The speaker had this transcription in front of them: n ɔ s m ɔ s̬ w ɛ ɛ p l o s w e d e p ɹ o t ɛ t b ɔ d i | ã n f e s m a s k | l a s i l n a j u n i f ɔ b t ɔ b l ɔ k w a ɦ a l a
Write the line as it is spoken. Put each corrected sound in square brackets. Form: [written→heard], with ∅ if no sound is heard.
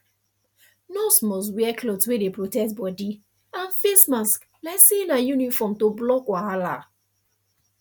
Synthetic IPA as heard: n ɔ s m ɔ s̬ w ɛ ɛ [p→k] l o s w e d e p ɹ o t ɛ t b ɔ d i | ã n f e s m a s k | l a s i [l→∅] n a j u n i f ɔ [b→m] t [ɔ→o] b l ɔ k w a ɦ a l a